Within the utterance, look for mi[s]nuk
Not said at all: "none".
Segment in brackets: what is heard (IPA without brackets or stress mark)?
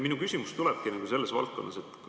none